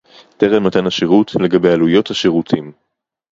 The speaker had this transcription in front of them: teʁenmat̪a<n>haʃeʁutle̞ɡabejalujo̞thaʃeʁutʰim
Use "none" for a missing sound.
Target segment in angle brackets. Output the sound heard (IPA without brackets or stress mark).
n